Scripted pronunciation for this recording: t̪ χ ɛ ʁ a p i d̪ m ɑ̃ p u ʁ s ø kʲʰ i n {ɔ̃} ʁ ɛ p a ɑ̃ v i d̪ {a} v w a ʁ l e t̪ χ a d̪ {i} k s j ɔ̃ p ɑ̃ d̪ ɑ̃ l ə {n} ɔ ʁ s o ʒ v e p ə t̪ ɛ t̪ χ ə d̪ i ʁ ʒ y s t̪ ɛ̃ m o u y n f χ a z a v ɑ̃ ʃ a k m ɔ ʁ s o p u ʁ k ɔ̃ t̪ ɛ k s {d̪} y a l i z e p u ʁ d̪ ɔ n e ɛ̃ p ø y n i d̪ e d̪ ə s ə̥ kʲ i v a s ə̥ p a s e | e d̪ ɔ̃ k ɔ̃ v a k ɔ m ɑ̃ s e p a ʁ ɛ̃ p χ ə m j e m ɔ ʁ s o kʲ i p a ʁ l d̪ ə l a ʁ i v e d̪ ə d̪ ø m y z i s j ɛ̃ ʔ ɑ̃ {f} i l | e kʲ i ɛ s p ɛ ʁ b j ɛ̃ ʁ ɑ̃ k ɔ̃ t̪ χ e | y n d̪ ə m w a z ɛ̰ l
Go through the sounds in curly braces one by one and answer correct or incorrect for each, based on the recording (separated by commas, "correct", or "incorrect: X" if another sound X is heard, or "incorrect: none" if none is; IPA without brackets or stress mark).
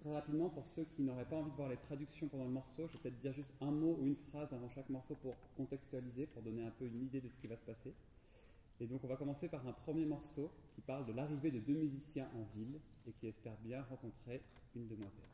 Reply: incorrect: ɔ, incorrect: ə, incorrect: y, incorrect: m, incorrect: t̪, incorrect: v